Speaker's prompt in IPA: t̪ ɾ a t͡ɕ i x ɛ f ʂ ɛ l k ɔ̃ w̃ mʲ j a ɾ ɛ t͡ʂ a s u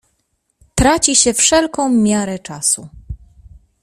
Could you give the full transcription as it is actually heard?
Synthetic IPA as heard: t̪ ɾ a t͡ɕ i ɕ ɛ f ʂ ɛ l k ɔ̃ w̃ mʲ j a ɾ ɛ t͡ʂ a s u